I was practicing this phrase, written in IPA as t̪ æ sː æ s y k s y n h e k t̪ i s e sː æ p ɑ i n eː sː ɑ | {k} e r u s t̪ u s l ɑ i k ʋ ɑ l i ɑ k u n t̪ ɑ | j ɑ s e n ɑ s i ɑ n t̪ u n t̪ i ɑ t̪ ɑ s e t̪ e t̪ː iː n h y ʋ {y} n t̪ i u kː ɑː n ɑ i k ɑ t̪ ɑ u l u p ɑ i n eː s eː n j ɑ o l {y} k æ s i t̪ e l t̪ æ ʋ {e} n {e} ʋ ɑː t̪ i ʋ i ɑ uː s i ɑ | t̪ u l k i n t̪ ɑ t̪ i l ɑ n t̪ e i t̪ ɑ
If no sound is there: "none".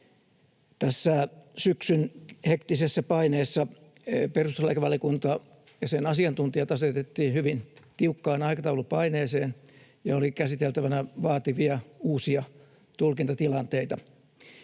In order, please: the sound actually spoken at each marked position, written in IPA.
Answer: p, i, i, æ, æ

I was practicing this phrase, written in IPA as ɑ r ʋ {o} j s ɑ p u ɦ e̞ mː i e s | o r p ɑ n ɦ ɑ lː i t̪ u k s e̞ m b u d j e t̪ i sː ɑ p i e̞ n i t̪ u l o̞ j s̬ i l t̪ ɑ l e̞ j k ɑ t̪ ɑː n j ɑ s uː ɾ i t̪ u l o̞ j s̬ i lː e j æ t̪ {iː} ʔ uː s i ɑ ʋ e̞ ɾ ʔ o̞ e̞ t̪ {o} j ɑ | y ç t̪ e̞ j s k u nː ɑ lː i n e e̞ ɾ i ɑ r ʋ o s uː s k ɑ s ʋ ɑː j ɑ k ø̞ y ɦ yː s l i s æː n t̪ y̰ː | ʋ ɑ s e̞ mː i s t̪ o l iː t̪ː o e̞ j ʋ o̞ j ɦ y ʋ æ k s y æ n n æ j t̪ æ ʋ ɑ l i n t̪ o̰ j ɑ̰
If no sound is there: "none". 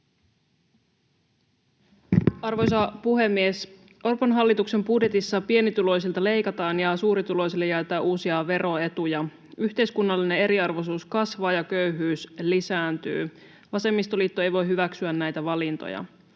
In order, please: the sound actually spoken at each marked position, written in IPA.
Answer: o, æː, u

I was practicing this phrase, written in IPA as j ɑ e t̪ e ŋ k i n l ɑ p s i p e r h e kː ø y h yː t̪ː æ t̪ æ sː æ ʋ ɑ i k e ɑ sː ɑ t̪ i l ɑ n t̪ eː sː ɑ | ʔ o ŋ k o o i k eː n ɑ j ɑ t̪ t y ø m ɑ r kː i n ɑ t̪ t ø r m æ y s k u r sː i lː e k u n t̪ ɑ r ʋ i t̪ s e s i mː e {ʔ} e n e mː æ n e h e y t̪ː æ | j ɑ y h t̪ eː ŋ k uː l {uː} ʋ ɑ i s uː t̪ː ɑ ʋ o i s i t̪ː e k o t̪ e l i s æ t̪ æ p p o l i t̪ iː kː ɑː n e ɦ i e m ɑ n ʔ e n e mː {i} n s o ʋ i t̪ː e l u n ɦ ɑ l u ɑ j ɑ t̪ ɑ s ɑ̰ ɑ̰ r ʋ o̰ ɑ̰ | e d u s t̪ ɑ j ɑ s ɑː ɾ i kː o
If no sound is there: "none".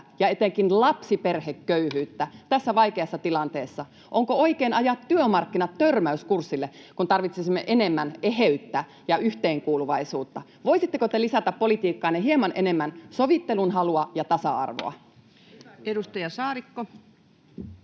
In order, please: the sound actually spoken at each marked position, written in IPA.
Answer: ʔ, u, æ

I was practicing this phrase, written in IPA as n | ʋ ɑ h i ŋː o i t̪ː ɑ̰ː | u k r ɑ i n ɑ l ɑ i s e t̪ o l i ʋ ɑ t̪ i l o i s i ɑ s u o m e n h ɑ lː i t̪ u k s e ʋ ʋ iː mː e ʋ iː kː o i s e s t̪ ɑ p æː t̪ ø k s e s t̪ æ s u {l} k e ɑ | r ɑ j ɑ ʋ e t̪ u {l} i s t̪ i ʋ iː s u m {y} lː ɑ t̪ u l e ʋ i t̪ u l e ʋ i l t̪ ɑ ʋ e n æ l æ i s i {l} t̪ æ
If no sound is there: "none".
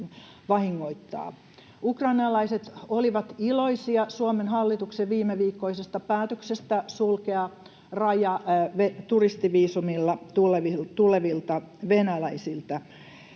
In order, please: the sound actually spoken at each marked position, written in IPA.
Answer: l, r, i, l

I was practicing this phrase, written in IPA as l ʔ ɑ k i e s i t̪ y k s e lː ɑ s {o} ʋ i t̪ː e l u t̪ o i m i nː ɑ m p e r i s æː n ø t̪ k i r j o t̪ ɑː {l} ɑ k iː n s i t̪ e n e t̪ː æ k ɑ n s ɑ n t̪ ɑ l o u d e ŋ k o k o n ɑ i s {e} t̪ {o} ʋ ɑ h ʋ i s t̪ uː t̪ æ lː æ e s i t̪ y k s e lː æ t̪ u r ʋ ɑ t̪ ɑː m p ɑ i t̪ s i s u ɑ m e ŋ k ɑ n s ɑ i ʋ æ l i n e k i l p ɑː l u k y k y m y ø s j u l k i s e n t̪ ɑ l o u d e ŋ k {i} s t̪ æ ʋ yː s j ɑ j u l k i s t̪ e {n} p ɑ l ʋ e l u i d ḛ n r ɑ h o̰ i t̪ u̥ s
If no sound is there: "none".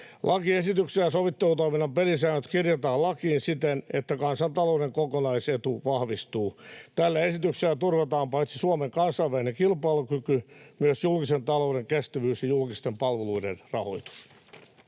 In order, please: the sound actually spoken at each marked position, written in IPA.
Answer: o, l, e, u, e, m

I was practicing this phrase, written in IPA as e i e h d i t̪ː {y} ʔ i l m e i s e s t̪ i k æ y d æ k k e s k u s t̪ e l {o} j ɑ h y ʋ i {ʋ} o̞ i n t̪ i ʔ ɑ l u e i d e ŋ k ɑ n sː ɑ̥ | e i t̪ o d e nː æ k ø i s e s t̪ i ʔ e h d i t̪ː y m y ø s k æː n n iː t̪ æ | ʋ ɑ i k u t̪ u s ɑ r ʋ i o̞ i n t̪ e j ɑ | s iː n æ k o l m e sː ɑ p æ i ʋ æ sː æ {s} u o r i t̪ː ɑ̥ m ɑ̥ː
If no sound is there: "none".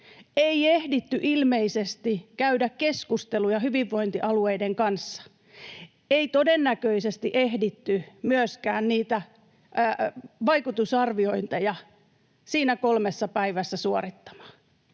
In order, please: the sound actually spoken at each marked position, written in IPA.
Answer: y, u, ʋː, s

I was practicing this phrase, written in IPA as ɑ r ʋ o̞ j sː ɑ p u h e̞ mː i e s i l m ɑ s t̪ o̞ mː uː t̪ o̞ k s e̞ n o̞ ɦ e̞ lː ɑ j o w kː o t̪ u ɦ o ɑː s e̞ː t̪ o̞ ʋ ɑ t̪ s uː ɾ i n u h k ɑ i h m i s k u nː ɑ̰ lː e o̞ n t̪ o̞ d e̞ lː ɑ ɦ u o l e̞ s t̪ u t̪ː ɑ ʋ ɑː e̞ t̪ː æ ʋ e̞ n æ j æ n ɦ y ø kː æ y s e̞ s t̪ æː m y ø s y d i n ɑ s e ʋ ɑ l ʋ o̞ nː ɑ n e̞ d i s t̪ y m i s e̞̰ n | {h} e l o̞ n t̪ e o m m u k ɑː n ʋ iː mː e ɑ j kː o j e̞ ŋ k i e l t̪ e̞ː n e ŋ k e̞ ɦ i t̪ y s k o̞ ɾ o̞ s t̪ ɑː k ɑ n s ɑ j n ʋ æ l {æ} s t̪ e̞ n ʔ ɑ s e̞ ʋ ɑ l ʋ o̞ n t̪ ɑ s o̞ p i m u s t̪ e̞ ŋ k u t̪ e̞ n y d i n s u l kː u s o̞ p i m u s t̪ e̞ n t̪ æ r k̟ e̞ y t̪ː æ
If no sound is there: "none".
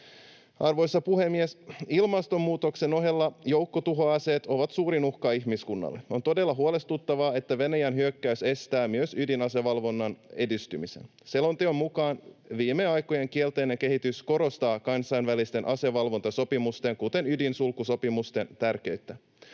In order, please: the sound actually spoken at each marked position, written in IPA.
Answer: s, i

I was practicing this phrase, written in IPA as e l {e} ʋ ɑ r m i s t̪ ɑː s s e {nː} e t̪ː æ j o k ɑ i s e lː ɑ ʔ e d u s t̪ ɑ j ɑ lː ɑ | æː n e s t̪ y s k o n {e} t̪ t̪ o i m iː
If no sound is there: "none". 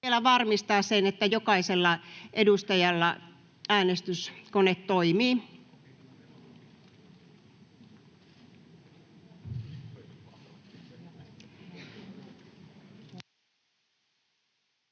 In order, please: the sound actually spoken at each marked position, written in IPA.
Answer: æ, n, e

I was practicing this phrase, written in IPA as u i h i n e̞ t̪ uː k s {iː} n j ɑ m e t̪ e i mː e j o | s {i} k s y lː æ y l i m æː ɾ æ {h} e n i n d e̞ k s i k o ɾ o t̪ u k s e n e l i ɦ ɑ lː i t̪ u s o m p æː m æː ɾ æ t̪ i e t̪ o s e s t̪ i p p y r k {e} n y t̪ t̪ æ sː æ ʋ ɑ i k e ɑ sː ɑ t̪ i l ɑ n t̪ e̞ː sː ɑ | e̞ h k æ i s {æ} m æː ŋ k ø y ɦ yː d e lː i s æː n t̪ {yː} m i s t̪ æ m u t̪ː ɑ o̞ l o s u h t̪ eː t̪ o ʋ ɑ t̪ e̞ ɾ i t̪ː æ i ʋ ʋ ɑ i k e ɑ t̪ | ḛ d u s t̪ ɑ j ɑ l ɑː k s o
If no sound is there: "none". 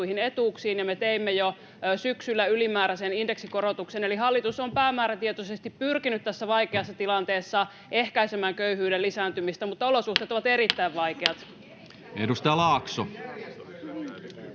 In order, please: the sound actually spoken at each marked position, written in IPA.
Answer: iː, y, s, i, e, y

